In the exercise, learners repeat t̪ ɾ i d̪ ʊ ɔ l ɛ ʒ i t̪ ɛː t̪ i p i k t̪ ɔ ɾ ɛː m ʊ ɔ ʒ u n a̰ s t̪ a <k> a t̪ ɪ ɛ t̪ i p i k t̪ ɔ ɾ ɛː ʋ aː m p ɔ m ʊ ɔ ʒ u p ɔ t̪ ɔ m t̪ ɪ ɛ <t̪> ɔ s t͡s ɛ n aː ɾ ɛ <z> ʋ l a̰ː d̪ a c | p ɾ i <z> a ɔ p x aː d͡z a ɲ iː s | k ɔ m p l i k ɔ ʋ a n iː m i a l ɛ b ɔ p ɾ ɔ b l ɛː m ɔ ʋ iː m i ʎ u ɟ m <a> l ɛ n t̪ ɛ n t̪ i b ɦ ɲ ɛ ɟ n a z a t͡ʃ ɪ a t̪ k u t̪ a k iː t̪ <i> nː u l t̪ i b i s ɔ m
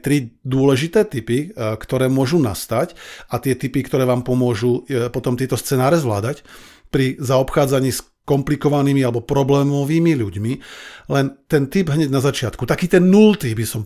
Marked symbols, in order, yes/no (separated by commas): no, yes, yes, yes, no, no